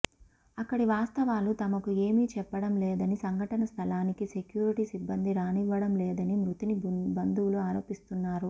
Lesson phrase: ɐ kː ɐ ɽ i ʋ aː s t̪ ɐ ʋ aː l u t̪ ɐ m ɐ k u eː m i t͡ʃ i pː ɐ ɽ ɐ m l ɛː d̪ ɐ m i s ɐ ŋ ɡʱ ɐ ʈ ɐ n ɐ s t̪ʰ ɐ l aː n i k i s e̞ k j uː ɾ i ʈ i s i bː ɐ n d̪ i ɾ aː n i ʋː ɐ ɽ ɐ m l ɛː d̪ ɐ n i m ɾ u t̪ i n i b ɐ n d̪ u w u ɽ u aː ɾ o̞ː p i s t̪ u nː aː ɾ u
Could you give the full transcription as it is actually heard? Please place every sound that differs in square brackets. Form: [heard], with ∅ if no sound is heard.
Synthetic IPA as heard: ɐ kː ɐ ɽ i ʋ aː s t̪ ɐ ʋ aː l u t̪ ɐ m ɐ k u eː m i t͡ʃ [ɛ] pː ɐ ɽ ɐ m l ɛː d̪ ɐ [n] i s ɐ ŋ ɡʱ ɐ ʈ ɐ n ɐ s t̪ʰ ɐ l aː n i k i s e̞ k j uː ɾ i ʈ i s i bː ɐ n d̪ i ɾ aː n i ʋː ɐ ɽ ɐ m l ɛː d̪ ɐ n i m ɾ u t̪ i n i b ɐ n d̪ u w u [l] u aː ɾ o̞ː p i s t̪ u nː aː ɾ u